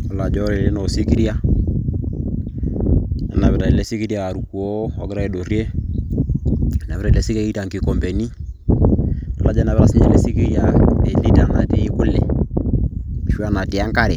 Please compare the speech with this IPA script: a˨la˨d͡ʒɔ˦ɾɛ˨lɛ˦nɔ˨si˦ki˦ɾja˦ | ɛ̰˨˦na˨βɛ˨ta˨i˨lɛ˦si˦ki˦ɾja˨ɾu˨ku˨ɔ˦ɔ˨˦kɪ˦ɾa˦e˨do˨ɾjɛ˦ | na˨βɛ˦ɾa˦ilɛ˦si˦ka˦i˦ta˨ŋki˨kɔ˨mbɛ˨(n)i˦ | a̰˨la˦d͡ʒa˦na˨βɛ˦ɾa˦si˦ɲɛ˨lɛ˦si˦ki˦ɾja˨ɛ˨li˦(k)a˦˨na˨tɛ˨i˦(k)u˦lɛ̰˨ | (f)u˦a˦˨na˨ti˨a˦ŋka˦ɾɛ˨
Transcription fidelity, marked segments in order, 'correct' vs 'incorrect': correct, incorrect, correct, incorrect

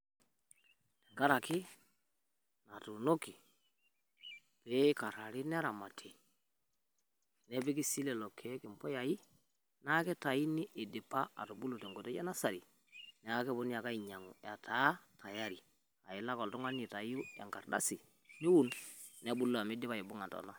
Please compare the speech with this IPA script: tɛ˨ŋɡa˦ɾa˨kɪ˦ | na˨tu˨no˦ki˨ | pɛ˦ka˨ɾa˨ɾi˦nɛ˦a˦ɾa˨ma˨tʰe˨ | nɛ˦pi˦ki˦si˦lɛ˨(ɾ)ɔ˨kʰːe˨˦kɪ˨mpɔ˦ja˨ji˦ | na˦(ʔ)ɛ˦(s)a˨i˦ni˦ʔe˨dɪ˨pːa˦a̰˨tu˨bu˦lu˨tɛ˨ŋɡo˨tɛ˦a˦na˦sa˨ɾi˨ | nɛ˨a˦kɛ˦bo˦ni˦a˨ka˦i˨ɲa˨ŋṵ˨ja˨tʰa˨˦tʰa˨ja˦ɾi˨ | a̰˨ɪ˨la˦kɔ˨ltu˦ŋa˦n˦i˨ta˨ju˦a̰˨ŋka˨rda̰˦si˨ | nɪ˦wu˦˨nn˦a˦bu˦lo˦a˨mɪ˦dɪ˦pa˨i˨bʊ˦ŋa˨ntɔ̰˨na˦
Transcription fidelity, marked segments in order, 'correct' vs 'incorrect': incorrect, incorrect, incorrect

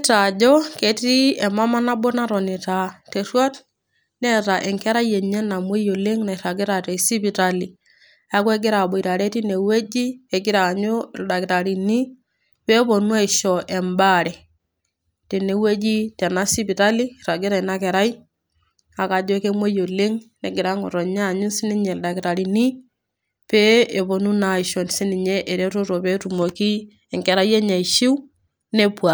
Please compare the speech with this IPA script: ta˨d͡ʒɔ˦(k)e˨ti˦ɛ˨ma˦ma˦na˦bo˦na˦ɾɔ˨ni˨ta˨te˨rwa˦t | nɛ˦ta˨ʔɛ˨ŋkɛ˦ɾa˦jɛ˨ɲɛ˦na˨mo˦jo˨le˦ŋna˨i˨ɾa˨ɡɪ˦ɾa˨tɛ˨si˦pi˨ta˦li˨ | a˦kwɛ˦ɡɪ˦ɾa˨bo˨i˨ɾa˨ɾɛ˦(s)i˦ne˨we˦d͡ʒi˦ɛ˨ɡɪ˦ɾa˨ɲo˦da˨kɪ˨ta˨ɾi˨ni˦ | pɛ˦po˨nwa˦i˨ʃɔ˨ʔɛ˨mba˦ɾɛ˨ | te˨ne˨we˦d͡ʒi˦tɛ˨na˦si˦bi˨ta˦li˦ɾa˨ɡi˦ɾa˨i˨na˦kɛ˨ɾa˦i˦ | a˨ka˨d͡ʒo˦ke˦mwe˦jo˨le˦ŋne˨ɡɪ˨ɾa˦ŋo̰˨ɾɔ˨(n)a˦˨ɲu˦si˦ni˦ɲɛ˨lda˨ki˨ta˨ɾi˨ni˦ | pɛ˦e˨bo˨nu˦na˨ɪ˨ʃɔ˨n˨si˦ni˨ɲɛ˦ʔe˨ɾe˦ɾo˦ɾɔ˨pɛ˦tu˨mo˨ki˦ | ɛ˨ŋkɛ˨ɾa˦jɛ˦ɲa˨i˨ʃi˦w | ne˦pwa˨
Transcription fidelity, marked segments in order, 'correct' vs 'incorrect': correct, incorrect, incorrect

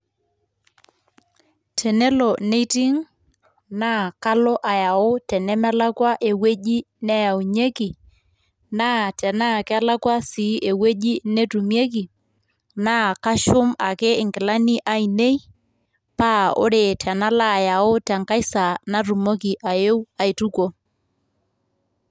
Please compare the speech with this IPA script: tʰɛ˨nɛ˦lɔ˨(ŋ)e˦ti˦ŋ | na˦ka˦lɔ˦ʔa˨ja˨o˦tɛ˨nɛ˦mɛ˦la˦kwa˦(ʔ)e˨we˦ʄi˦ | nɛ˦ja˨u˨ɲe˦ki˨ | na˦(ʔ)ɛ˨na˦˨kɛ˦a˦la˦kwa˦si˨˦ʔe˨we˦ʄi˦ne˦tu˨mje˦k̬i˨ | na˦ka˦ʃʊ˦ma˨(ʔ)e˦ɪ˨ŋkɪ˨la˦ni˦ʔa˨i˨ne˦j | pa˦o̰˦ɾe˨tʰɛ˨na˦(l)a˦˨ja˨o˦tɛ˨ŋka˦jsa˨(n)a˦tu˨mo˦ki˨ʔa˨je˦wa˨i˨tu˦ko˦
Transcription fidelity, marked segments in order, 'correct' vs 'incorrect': incorrect, correct, incorrect, incorrect, correct, correct

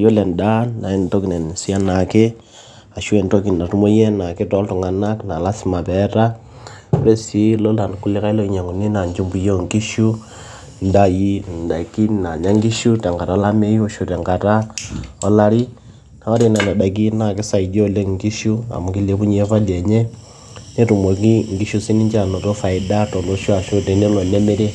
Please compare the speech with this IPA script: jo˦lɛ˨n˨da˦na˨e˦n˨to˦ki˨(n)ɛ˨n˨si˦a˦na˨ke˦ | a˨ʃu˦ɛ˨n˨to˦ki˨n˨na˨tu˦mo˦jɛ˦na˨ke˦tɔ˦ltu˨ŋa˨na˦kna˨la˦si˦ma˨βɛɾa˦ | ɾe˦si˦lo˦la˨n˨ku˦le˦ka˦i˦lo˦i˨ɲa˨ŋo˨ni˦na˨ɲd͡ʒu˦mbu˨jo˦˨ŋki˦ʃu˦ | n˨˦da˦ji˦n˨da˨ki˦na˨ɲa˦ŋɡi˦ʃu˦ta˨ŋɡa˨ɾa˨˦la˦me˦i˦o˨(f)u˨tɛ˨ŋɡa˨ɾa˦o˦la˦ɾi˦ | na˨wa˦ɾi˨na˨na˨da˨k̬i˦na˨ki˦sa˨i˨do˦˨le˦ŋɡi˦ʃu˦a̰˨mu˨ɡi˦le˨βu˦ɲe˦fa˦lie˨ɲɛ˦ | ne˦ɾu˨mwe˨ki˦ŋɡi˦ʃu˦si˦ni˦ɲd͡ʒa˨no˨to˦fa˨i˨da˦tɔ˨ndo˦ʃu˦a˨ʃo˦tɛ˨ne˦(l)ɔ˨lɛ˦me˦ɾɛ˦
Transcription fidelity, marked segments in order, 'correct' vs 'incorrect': correct, incorrect, correct

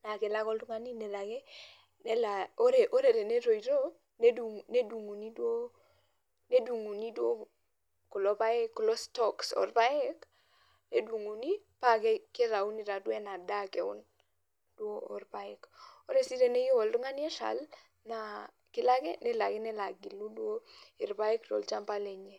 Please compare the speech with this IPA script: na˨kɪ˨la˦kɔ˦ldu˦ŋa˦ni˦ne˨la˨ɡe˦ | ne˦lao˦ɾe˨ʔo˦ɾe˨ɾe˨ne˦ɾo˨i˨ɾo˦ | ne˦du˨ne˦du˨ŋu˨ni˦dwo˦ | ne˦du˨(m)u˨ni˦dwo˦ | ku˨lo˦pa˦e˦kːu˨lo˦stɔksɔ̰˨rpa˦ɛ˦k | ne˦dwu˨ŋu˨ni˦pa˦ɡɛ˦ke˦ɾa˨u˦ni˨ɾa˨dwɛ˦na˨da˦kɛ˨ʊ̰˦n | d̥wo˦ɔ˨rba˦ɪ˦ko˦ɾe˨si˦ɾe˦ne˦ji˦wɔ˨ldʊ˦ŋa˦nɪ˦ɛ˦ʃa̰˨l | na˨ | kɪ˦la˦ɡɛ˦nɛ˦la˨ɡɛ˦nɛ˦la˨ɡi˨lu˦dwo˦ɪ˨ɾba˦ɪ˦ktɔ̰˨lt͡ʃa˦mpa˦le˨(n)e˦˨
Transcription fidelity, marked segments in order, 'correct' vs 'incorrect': incorrect, incorrect

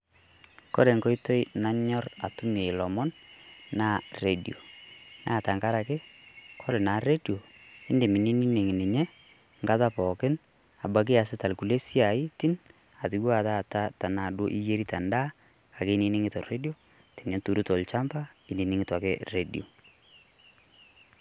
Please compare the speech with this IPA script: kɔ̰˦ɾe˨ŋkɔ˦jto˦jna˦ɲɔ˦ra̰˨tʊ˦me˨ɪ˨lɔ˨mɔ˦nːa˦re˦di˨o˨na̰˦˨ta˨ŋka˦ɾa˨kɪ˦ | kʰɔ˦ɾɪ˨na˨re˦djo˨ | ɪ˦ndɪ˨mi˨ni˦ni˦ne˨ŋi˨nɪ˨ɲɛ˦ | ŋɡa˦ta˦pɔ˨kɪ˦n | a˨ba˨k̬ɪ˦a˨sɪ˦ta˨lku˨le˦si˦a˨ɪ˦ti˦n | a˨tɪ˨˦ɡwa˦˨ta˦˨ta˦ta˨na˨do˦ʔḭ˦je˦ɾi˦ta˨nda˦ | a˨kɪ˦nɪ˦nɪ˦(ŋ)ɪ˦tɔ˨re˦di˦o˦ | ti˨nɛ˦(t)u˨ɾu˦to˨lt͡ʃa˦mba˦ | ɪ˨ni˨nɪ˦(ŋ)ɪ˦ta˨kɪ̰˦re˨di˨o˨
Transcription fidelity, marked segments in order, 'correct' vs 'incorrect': correct, correct, correct

